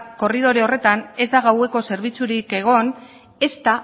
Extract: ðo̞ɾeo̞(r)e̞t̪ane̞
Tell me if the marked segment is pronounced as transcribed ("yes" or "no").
yes